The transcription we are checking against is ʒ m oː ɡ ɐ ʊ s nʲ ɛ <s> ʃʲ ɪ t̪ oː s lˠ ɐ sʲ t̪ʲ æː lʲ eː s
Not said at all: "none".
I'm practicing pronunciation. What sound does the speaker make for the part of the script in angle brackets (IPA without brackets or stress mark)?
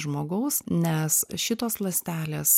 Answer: s